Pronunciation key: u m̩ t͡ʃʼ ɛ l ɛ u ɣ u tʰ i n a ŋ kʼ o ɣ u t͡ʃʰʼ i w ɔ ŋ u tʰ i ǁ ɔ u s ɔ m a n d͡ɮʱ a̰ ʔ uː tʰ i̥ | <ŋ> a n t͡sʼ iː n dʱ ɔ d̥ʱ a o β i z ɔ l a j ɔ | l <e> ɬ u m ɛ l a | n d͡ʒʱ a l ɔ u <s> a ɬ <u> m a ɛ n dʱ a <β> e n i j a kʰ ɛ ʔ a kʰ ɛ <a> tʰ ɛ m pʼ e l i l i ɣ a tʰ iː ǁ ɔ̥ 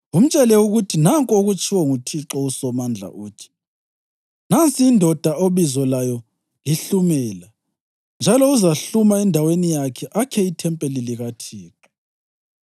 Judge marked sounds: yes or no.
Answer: no, no, no, yes, no, no

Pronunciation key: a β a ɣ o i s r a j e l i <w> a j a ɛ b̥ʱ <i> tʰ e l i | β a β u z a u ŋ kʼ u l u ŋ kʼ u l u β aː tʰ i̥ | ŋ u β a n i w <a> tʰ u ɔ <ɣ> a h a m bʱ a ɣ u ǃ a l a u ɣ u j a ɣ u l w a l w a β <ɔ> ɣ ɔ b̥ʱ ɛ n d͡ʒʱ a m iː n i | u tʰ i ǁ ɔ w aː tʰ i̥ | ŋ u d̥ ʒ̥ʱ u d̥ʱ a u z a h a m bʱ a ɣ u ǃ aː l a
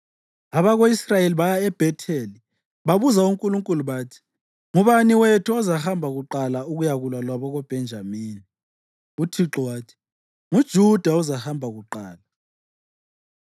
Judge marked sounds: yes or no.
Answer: no, no, no, no, yes

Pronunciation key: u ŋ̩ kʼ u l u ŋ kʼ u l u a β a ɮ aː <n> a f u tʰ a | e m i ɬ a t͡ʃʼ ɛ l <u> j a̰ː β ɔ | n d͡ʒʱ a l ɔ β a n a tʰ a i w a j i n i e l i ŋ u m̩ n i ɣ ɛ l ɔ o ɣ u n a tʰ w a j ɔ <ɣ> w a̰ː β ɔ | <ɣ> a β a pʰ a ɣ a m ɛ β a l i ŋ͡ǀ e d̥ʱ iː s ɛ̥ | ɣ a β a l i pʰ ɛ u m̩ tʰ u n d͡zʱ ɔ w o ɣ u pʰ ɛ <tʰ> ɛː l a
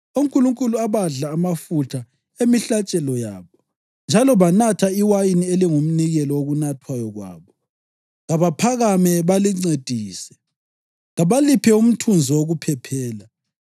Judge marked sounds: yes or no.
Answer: no, no, yes, yes, no

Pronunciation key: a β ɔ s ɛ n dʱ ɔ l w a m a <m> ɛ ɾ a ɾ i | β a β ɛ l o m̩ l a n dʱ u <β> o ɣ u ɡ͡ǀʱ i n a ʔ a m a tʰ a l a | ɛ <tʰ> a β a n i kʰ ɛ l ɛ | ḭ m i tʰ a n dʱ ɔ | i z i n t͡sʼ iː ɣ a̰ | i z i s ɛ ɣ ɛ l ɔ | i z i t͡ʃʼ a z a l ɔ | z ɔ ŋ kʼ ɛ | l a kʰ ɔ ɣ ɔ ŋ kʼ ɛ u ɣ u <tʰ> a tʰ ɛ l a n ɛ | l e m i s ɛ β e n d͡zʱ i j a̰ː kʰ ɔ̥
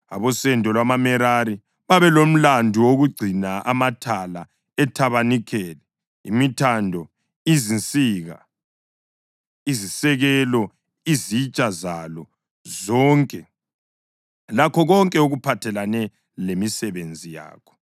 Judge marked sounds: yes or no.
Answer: yes, no, yes, no

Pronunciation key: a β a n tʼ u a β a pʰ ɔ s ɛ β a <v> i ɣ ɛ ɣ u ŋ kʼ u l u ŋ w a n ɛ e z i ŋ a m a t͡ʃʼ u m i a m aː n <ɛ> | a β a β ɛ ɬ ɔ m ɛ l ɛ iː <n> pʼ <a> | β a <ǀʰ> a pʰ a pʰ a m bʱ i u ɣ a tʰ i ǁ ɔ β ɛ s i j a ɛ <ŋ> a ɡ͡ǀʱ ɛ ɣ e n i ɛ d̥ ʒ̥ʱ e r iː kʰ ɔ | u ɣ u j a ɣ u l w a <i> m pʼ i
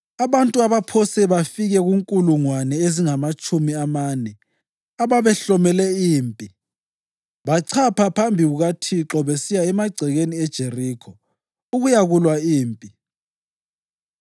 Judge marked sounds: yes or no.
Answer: no, yes, no, no, yes, no, no

